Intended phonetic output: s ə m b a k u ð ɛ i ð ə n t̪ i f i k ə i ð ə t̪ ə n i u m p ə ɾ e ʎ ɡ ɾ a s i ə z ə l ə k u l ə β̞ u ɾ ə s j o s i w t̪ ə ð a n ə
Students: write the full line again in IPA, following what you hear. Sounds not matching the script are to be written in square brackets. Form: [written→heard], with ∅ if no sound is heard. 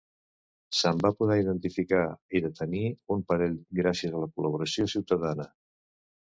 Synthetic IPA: s ə m b a [k→p] u ð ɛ i ð ə n t̪ i f i k [ə→a] i ð ə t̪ ə n i u m p ə ɾ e ʎ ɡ ɾ a s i ə z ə l ə k u l ə β̞ u ɾ ə s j o s i w t̪ ə ð a n ə